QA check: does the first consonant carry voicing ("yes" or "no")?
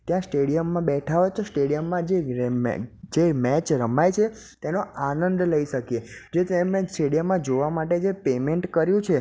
no